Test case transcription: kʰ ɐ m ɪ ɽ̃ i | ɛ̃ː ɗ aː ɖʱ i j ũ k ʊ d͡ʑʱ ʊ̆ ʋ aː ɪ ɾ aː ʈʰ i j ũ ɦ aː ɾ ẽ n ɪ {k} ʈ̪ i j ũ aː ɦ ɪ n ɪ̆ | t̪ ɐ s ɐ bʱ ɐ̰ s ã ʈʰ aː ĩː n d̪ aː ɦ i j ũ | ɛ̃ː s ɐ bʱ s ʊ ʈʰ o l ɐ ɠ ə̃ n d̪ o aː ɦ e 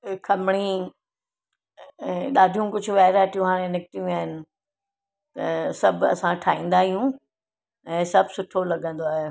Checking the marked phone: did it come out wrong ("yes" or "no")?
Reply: no